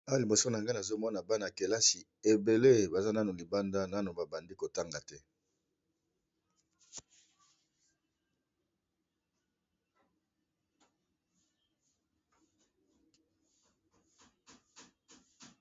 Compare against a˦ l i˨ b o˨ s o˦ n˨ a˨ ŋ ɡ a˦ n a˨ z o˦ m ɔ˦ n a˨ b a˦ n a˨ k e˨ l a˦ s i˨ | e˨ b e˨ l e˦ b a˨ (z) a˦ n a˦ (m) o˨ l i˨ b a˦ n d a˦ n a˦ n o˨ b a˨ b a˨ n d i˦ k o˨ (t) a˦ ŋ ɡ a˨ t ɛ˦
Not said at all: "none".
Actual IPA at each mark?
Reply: z, n, t

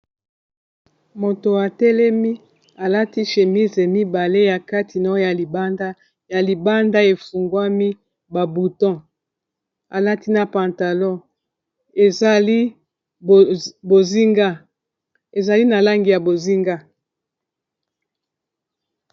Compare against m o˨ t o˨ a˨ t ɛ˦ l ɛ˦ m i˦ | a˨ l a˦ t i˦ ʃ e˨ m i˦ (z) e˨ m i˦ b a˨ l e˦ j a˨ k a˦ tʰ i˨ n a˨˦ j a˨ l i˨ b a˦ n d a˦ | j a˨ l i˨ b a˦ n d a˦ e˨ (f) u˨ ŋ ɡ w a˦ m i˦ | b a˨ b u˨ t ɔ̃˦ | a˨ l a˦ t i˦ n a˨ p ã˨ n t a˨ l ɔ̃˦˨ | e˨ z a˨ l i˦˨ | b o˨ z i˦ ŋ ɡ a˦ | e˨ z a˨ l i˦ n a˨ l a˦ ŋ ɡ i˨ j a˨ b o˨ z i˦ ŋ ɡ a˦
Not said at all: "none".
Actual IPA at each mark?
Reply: z, f

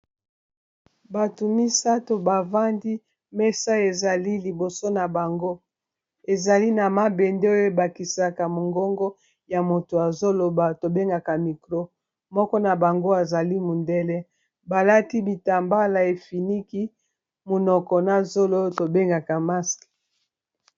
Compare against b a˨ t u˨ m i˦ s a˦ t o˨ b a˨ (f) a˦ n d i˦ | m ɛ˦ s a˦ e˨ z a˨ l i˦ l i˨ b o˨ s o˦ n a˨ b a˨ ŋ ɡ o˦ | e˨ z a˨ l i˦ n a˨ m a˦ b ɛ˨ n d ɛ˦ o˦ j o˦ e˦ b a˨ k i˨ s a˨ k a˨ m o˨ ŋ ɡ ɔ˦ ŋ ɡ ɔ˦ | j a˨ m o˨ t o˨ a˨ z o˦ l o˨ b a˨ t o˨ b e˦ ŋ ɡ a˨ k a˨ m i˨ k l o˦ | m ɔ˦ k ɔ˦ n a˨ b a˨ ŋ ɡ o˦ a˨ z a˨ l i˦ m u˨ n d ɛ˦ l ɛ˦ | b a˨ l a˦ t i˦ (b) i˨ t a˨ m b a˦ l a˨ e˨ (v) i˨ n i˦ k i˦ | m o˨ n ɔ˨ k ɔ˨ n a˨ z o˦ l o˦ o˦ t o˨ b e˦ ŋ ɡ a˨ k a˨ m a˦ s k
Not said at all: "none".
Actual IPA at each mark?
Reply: v, b, f

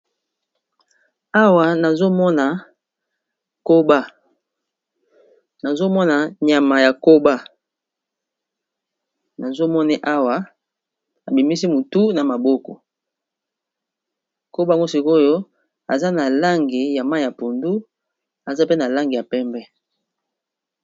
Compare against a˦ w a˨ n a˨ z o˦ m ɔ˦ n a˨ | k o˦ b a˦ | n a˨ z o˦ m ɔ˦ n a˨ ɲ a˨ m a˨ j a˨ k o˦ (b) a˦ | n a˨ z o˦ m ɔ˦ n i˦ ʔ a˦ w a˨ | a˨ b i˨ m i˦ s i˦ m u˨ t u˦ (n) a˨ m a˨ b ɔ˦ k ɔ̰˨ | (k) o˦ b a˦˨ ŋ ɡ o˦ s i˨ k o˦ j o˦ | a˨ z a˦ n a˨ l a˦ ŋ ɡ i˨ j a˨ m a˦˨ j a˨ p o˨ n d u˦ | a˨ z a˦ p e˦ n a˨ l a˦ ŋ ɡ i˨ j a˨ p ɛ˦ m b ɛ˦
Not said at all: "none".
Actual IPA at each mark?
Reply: b, n, k

